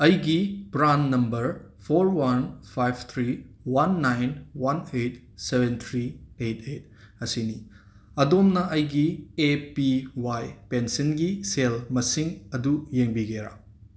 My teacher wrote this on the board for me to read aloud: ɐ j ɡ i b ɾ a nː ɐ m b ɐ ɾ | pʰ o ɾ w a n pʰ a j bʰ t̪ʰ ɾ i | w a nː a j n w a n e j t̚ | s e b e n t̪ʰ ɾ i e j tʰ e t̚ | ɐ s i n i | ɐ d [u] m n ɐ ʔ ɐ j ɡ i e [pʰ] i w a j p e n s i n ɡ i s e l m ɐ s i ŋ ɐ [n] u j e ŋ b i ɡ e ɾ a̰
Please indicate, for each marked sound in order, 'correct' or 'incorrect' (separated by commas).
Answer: incorrect, incorrect, incorrect